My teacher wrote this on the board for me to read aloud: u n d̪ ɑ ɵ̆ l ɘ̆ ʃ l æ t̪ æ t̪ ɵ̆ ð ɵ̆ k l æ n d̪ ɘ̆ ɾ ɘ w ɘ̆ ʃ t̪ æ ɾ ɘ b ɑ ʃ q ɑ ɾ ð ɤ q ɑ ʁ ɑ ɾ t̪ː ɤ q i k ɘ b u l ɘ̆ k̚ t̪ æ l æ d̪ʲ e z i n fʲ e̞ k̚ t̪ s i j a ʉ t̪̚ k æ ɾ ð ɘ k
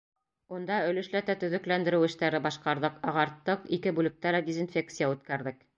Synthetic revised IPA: u n d̪ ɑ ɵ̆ l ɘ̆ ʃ l æ t̪ æ t̪ ɵ̆ ð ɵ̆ k l æ n d̪ ɘ̆ ɾ ɘ w ɘ̆ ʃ t̪ æ ɾ ɘ b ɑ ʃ q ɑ ɾ ð ɤ q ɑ ʁ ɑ ɾ t̪ː ɤ q i k ɘ b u l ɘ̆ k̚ t̪ æ l æ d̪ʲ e z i n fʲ e̞ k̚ t̪ s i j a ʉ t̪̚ k æ ɾ ð ɘ k